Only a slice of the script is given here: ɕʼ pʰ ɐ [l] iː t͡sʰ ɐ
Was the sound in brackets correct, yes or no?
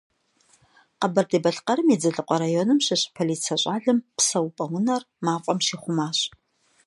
yes